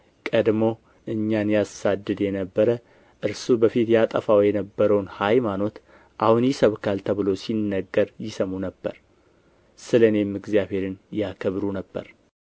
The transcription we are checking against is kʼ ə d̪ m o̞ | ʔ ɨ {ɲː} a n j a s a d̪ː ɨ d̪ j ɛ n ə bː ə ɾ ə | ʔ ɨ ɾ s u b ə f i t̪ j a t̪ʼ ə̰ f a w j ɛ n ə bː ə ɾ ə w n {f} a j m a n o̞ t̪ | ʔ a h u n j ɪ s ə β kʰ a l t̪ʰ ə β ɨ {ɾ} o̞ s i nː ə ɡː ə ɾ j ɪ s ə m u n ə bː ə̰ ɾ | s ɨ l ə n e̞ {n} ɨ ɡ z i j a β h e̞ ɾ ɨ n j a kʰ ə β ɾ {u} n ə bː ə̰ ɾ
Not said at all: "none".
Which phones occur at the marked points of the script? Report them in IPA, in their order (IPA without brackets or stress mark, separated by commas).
ɲː, h, l, m, u